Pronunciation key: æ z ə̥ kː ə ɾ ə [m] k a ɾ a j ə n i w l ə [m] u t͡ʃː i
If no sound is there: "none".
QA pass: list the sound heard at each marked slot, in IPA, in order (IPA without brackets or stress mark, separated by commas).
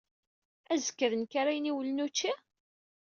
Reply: n, n